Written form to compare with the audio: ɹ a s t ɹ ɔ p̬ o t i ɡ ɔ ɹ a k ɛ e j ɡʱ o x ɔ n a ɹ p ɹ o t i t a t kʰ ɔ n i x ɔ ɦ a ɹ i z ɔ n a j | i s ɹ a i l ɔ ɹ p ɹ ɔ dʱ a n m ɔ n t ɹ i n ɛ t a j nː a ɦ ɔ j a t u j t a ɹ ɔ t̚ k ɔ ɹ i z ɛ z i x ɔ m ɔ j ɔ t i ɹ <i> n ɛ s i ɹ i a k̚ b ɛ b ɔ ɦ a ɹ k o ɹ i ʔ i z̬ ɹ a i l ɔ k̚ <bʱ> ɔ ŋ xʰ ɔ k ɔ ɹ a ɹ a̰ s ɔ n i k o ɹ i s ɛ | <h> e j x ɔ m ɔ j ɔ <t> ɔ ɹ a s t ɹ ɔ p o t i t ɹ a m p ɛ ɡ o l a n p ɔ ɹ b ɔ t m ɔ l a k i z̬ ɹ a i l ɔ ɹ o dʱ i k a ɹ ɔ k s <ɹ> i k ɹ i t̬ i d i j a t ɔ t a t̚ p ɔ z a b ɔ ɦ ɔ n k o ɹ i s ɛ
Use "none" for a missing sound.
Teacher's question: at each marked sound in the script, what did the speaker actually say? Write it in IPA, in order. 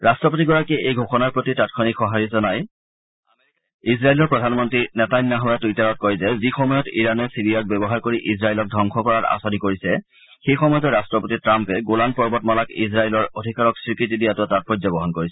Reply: a, dʱ, x, t, ɹ

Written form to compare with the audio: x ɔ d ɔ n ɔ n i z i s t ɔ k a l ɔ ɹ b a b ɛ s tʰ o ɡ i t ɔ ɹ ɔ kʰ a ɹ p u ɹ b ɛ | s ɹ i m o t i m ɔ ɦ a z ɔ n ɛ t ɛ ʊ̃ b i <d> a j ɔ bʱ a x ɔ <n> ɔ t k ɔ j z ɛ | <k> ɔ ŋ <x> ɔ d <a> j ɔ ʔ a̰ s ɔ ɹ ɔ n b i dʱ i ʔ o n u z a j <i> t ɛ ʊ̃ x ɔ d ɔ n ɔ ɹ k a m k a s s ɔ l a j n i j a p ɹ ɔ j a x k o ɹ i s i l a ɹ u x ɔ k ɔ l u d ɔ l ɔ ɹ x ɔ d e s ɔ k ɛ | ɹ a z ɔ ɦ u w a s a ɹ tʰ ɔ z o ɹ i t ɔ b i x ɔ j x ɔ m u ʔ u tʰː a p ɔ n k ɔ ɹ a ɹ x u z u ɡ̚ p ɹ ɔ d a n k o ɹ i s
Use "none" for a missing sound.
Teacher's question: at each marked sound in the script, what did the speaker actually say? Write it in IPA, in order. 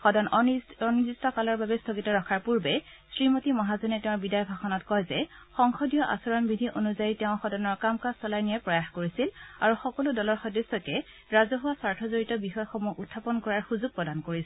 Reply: d, n, x, x, i, i

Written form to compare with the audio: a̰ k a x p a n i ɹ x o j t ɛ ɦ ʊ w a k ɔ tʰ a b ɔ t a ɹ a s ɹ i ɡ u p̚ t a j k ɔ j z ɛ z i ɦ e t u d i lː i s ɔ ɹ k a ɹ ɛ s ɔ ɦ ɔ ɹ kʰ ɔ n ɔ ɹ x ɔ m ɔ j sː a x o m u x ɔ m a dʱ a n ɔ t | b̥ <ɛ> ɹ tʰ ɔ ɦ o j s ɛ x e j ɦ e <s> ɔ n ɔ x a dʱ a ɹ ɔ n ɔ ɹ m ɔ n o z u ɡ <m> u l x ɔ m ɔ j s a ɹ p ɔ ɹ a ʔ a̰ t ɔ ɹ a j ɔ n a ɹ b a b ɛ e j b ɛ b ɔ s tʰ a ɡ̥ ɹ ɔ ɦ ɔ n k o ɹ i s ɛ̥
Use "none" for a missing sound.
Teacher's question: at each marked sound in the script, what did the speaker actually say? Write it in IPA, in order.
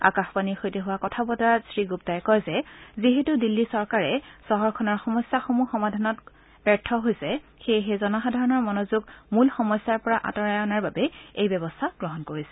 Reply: ɛ, z, m

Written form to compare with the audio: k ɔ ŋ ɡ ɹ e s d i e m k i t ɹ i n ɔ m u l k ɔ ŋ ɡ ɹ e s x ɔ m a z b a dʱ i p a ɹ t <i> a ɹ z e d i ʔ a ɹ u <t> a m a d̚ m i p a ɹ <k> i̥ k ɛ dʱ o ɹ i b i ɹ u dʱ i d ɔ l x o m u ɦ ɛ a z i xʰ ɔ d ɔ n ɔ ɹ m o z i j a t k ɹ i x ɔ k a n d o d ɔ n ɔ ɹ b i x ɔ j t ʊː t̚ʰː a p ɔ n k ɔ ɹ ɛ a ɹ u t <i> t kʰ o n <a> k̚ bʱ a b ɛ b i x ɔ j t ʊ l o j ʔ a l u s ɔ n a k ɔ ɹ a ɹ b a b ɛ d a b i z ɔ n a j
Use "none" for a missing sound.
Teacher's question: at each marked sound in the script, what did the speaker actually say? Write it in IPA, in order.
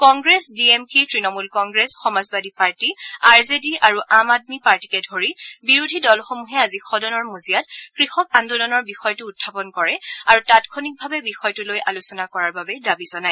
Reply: i, ʔ, t, a, i

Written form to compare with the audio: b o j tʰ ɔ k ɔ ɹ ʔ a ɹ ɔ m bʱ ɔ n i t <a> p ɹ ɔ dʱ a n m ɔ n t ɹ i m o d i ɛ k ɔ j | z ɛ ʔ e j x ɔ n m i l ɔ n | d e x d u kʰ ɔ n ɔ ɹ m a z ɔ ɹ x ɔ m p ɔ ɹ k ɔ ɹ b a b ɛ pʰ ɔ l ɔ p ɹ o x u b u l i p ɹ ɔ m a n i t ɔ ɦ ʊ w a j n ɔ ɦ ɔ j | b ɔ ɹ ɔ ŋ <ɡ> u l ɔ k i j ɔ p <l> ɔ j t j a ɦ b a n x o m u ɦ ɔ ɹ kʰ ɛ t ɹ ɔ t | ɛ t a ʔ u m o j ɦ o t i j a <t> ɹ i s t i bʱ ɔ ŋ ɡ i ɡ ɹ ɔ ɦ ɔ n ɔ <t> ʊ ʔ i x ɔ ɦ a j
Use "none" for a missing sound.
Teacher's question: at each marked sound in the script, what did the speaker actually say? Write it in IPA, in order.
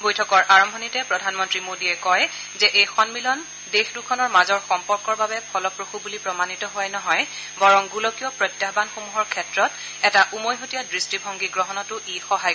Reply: ɛ, ɡ, ɹ, d, t

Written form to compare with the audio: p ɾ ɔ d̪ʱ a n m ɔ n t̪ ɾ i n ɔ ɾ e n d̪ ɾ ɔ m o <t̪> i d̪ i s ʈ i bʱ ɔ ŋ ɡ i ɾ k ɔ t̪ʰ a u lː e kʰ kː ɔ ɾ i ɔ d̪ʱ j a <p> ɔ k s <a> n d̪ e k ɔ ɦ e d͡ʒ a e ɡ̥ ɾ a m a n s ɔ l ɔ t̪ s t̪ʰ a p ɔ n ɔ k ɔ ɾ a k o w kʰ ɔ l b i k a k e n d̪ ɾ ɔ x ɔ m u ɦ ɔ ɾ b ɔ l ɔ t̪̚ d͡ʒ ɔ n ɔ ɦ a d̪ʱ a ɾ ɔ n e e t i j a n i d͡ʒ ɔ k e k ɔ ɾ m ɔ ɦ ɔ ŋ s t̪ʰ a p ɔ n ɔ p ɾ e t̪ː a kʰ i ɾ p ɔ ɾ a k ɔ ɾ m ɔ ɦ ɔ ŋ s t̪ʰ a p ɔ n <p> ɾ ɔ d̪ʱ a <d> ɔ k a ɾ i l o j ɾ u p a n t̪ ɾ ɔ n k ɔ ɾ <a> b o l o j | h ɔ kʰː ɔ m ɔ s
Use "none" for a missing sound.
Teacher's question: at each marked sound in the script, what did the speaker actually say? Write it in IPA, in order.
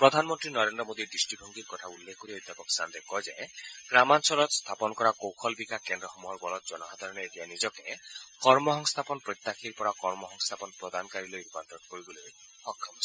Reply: d̪, p, a, p, n, i

